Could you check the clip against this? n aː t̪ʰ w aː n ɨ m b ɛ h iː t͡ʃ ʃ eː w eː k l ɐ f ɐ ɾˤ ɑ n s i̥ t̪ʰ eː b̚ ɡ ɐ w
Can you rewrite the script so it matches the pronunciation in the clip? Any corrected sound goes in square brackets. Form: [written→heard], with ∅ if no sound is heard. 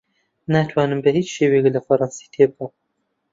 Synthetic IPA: n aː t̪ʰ w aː n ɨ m b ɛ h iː t͡ʃ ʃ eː w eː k l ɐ f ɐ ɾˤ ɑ n s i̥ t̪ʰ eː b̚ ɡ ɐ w